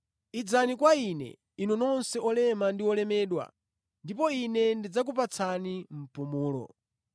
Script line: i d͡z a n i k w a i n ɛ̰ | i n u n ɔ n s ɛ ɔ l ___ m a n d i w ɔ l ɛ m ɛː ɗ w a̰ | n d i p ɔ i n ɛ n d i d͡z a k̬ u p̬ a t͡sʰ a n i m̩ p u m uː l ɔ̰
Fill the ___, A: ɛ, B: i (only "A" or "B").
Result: A